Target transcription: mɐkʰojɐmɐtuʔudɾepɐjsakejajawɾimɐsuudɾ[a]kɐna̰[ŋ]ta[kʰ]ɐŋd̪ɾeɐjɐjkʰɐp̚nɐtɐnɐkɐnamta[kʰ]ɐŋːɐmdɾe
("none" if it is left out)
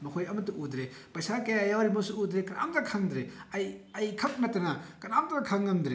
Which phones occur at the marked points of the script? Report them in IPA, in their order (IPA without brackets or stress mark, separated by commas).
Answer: e, m, kʰ, kʰ